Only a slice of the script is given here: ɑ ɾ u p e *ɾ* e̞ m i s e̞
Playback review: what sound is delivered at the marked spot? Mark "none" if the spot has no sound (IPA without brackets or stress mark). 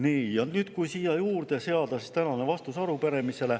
ɾ